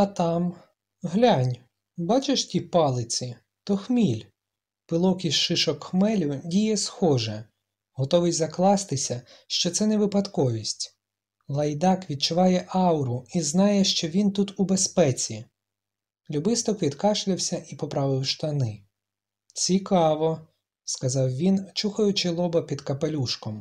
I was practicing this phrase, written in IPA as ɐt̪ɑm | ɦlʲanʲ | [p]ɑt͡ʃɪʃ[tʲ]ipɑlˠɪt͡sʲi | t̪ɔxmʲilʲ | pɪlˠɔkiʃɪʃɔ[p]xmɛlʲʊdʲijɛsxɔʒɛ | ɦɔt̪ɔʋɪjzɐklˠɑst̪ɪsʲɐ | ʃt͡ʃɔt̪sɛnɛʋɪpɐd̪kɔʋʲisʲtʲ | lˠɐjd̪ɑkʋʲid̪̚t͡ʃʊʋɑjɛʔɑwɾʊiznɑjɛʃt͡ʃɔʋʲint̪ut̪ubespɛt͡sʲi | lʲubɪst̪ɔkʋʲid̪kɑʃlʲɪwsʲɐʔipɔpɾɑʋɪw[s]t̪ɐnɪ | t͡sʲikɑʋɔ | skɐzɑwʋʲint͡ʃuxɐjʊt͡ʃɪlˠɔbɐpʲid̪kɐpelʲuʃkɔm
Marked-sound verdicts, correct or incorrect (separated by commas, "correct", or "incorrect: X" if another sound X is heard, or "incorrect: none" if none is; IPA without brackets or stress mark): incorrect: b, correct, incorrect: k, incorrect: ʃ